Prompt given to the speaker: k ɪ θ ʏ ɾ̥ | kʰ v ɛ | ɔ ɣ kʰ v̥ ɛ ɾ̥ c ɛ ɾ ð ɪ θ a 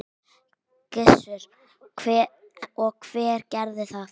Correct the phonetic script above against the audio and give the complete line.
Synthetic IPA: k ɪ s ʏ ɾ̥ | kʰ v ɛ | ɔ ɣ kʰ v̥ ɛː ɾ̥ c ɛ ɾ ð ɪ θ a